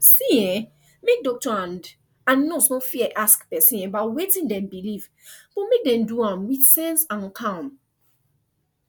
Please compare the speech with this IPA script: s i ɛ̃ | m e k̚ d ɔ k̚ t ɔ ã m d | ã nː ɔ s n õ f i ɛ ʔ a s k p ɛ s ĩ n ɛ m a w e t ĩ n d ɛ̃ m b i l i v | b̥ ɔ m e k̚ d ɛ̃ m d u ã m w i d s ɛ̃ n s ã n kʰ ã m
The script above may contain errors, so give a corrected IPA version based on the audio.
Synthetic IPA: s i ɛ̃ | m e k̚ d ɔ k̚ t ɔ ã n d | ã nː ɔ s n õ f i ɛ ʔ a s k p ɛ s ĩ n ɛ b a w e t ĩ n d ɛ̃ m b i l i v | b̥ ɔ m e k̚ d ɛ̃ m d u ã m w i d s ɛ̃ n s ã n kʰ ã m